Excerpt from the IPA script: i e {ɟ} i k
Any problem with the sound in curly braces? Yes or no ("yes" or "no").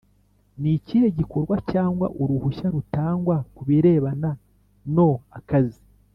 no